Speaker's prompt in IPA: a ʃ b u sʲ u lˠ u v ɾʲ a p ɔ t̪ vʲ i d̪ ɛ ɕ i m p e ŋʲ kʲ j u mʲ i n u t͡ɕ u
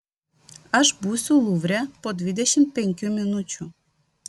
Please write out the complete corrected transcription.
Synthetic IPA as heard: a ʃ b u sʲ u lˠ u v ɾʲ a p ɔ d̪ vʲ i d̪ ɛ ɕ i m p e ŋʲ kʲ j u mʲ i n u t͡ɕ u